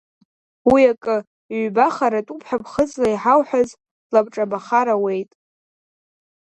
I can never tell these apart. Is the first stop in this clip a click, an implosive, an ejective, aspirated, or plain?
ejective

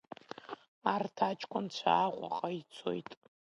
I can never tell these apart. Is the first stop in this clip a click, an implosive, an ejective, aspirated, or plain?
aspirated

